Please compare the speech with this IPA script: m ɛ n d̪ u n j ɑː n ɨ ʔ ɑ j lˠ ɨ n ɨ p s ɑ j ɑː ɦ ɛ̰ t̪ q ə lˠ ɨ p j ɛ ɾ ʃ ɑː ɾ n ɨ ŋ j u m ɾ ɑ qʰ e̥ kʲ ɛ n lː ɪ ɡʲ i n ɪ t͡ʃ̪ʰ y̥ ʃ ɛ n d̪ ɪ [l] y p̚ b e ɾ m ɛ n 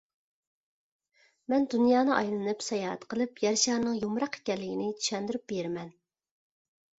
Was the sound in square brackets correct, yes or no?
no